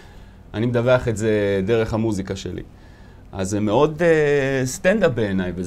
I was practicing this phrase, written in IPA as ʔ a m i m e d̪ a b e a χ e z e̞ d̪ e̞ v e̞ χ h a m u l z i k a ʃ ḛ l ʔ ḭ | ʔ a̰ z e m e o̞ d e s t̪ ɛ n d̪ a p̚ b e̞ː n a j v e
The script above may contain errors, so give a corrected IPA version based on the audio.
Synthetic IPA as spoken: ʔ a n i m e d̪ a v e a χ e z e̞ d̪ e̞ ʁ e̞ χ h a m u z i k a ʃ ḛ l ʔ ḭ | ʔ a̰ z e m e o̞ d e s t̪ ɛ n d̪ a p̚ b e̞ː n a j v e